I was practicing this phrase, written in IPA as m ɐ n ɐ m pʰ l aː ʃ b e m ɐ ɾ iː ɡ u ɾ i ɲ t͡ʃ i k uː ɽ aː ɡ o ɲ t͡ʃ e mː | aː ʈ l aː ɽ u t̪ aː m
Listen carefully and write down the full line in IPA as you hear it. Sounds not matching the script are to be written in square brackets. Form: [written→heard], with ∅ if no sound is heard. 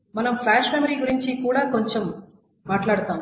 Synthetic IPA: m ɐ n ɐ m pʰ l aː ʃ [b→m] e m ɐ ɾ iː ɡ u ɾ i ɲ t͡ʃ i k uː ɽ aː [ɡ→k] o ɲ t͡ʃ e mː | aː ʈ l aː ɽ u t̪ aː m

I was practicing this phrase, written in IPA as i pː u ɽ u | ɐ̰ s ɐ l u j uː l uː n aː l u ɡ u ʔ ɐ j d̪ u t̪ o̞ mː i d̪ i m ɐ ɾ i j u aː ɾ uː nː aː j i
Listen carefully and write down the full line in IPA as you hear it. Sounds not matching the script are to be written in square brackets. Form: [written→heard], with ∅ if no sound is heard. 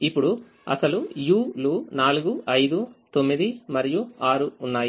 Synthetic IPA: i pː u ɽ u | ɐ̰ s ɐ l u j uː l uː n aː l u ɡ u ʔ ɐ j d̪ u t̪ o̞ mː i d̪ i m ɐ ɾ i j u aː ɾ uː nː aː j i

